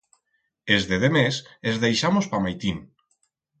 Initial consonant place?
alveolar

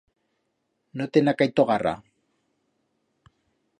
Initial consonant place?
alveolar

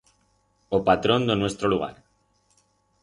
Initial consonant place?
labial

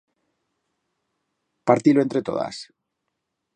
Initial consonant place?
labial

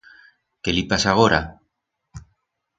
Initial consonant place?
velar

